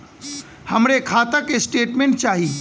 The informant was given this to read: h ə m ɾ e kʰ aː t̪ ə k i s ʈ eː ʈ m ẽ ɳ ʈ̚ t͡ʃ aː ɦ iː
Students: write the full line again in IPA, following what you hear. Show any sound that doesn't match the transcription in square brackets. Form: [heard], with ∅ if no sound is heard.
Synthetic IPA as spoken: h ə m ɾ e kʰ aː t̪ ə k [e] s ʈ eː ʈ m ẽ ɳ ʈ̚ t͡ʃ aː ɦ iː